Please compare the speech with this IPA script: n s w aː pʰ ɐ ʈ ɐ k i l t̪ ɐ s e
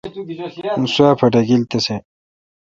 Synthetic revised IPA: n s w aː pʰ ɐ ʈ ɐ ɡ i l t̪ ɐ s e